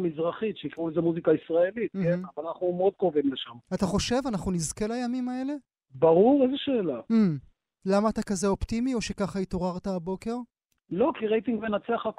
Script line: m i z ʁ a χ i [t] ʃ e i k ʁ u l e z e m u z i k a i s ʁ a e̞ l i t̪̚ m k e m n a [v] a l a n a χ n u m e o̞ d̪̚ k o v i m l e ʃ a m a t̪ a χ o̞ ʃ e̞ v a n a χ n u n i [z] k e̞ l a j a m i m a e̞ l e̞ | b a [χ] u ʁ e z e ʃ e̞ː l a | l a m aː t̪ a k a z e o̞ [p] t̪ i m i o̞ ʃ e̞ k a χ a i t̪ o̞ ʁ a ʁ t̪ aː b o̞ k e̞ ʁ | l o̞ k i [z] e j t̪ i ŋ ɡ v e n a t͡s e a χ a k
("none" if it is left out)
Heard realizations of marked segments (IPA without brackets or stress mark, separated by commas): t, v, z, ʁ, p, ʁ